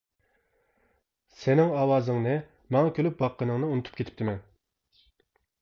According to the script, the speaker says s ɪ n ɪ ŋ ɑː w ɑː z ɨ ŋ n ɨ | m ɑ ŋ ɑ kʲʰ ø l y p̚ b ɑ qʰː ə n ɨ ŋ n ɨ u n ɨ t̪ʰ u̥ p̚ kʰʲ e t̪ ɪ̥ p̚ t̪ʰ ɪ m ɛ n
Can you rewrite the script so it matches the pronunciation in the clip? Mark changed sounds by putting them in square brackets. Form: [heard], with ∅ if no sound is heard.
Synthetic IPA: s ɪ n ɪ ŋ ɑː w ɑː z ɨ ŋ n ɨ | m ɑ ŋ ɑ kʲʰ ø l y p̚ b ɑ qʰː ə n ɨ ŋ n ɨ u n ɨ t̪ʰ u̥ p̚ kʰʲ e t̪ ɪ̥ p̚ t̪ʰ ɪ m ɛ n